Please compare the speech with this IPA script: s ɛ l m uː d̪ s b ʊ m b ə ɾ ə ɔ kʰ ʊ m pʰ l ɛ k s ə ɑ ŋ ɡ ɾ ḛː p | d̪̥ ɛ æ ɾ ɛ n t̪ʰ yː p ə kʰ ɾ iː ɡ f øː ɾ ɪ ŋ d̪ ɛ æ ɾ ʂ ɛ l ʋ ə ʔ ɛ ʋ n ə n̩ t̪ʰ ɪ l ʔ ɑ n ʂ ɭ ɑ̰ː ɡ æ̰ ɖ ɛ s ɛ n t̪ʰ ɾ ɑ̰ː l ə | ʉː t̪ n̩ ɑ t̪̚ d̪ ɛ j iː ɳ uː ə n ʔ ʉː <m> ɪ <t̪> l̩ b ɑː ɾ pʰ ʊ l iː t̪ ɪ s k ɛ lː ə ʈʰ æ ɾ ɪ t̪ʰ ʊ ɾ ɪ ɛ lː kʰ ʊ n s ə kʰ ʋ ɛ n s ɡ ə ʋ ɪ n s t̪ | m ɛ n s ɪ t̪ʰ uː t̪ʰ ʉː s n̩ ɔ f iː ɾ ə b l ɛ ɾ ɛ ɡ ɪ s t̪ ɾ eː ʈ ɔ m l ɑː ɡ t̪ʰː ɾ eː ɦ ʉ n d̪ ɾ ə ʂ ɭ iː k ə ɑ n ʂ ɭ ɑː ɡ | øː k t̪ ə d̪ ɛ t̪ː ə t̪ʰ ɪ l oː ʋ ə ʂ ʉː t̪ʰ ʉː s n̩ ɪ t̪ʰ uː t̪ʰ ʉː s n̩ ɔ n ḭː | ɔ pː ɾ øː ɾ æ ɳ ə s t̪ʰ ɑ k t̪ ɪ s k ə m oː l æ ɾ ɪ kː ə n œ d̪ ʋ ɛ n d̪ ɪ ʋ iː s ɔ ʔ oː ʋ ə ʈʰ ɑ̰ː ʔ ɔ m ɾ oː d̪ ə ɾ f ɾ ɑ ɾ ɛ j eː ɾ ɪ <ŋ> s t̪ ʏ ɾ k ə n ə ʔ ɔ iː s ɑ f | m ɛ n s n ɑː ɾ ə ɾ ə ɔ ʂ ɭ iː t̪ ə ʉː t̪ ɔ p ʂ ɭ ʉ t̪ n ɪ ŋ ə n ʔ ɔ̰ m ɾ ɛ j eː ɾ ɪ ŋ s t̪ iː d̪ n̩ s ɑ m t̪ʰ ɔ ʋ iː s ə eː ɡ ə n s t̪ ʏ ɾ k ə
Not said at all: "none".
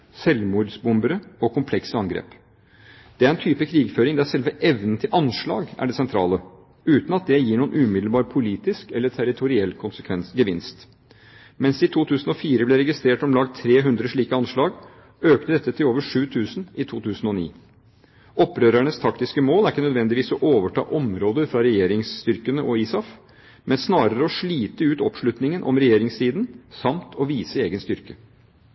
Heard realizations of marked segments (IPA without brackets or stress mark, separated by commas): m, d̪, ŋ